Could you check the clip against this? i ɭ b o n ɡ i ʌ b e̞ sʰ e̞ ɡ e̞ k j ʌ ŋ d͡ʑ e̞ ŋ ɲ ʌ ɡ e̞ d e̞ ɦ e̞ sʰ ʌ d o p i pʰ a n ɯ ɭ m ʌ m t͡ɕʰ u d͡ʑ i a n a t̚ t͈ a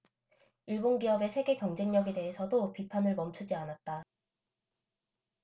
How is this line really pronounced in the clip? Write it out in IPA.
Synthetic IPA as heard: i ɭ b o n ɡ i ʌ b e̞ sʰ e̞ ɡ e̞ k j ʌ ŋ d͡ʑ e̞ ŋ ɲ ʌ ɡ e̞ d e̞ ɦ e̞ sʰ ʌ d o p i pʰ a n ɯ ɭ m ʌ m t͡ɕʰ u d͡ʑ i a n a t̚ t͈ a

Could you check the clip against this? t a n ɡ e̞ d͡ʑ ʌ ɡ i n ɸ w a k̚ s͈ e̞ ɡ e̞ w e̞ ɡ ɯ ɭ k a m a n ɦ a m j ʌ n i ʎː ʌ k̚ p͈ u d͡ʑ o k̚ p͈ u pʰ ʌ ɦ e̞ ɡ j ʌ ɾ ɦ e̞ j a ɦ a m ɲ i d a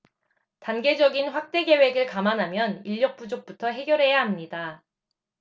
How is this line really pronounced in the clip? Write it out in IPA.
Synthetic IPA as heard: t a n ɡ e̞ d͡ʑ ʌ ɡ i n ɸ w a k̚ t͈ e̞ ɡ e̞ w e̞ ɡ ɯ ɭ k a m a n ɦ a m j ʌ n i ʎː ʌ k̚ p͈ u d͡ʑ o k̚ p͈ u tʰ ʌ ɦ e̞ ɡ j ʌ ɾ ɦ e̞ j a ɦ a m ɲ i d a

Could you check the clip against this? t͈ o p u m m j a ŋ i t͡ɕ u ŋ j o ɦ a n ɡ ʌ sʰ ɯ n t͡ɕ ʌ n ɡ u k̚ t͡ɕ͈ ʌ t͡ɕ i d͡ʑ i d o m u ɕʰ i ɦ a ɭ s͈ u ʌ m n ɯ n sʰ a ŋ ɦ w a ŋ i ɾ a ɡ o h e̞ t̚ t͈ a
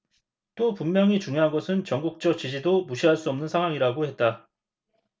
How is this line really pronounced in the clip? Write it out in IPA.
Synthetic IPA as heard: t͈ o p u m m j ʌ ŋ i t͡ɕ u ŋ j o ɦ a n ɡ ʌ sʰ ɯ n t͡ɕ ʌ ŋ ɡ u k̚ t͡ɕ͈ ʌ t͡ɕ i d͡ʑ i d o m u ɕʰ i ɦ a ɭ s͈ u ʌ m n ɯ n sʰ a ŋ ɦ w a ŋ i ɾ a ɡ o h e̞ t̚ t͈ a

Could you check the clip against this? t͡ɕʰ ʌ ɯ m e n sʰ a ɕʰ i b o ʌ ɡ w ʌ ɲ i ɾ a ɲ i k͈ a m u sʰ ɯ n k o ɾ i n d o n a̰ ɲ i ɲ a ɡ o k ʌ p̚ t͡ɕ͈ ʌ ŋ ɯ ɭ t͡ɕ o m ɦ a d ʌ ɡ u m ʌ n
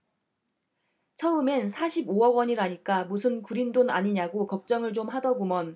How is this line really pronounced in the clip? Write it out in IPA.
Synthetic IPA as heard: t͡ɕʰ ʌ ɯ m e n sʰ a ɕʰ i b o ʌ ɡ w ʌ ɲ i ɾ a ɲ i k͈ a m u sʰ ɯ n k u ɾ i n d o n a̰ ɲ i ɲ a ɡ o k ʌ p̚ t͡ɕ͈ ʌ ŋ ɯ ɭ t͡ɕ o m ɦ a d ʌ ɡ u m ʌ n

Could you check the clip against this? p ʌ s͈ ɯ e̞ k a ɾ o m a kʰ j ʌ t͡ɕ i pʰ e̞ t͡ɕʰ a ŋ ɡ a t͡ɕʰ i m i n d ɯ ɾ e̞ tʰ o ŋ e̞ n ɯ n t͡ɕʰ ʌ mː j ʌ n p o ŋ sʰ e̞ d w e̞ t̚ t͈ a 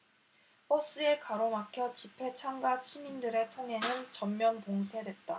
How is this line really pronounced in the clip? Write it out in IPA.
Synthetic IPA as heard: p ʌ s͈ ɯ e̞ k a ɾ o m a kʰ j ʌ t͡ɕ i pʰ e̞ t͡ɕʰ a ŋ ɡ a t͡ɕʰ i m i n d ɯ ɾ e̞ tʰ o ŋ e̞ n ɯ n t͡ɕ ʌ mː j ʌ n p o ŋ sʰ e̞ d w e̞ t̚ t͈ a

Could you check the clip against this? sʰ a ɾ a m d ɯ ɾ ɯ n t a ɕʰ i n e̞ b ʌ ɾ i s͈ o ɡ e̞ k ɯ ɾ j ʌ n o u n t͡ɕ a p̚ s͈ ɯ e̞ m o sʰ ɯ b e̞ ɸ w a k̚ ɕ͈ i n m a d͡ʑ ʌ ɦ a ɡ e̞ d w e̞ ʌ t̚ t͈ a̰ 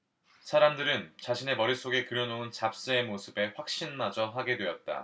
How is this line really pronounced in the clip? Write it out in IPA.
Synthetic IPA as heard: sʰ a ɾ a m d ɯ ɾ ɯ n t͡ɕ a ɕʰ i n e̞ m ʌ ɾ i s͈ o ɡ e̞ k ɯ ɾ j ʌ n o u n t͡ɕ a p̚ s͈ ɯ e̞ m o sʰ ɯ b e̞ ɸ w a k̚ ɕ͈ i n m a d͡ʑ ʌ ɦ a ɡ e̞ d w e̞ ʌ t̚ t͈ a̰

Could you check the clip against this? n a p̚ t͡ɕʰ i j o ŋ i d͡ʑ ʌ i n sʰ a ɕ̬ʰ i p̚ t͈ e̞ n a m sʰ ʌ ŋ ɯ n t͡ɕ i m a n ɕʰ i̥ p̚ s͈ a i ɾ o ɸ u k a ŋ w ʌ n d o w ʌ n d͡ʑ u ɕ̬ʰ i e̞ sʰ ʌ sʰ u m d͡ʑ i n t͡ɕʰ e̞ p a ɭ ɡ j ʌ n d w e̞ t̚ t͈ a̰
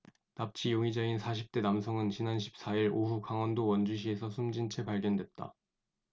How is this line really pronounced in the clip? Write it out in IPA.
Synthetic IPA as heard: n a p̚ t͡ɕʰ i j o ŋ i d͡ʑ ʌ i n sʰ a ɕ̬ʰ i p̚ t͈ e̞ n a m sʰ ʌ ŋ ɯ n t͡ɕ i n a n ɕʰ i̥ p̚ s͈ a i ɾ o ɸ u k a ŋ w ʌ n d o w ʌ n d͡ʑ u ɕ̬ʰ i e̞ sʰ ʌ sʰ u m d͡ʑ i n t͡ɕʰ e̞ p a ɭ ɡ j ʌ n d w e̞ t̚ t͈ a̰

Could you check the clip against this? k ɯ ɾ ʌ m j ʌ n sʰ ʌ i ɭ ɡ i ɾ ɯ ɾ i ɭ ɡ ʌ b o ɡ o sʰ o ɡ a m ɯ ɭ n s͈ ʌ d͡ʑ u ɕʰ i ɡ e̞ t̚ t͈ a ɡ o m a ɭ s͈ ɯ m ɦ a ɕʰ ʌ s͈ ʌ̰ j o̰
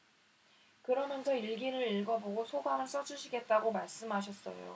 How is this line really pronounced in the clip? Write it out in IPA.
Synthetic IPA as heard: k ɯ ɾ ʌ m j ʌ n sʰ ʌ i ɭ ɡ i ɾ ɯ ɾ i ɭ ɡ ʌ b o ɡ o sʰ o ɡ a m ɯ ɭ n s͈ ʌ d͡ʑ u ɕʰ i ɡ e̞ t̚ t͈ a ɡ o m a ɭ s͈ ɯ m ɦ a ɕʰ ʌ s͈ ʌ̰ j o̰

